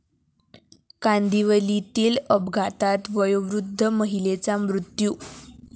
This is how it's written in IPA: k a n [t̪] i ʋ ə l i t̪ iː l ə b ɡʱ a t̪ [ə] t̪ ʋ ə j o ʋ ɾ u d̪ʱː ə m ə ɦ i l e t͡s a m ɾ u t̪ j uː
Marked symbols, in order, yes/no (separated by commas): no, no